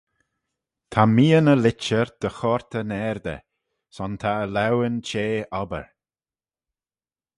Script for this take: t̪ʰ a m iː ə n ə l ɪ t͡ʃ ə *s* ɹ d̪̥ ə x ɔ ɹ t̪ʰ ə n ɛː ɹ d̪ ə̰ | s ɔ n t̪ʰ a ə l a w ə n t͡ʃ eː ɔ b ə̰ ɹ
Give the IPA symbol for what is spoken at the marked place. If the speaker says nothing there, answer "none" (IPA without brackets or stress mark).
none